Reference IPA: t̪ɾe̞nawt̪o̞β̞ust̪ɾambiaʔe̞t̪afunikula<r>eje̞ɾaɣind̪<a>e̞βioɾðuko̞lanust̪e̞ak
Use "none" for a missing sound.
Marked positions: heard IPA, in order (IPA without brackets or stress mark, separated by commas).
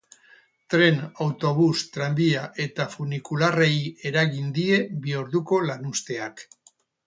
r, i